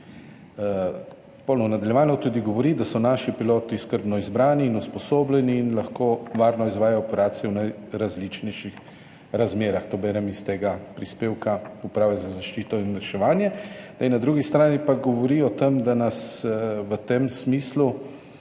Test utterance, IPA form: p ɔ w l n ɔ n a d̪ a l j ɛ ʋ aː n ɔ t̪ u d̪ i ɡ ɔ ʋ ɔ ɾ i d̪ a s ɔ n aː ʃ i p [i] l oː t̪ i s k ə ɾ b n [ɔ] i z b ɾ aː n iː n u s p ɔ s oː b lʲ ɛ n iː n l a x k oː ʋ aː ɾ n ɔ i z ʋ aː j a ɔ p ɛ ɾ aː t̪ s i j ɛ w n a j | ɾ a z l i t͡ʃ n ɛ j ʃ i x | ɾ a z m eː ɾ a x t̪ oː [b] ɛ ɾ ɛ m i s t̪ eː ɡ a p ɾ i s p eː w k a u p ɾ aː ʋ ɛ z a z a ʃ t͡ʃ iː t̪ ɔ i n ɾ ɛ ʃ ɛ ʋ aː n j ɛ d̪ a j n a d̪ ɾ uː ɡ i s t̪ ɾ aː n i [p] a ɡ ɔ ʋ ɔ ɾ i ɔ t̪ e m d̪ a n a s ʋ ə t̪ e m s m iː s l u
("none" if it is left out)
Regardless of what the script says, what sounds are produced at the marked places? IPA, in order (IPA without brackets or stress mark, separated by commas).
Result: i, ɔ, b, p